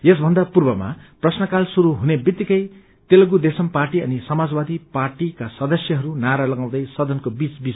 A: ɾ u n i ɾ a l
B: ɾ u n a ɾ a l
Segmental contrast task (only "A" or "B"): B